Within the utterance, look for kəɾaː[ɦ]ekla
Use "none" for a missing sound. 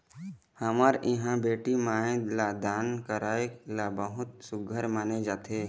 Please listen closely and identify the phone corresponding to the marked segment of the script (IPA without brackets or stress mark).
none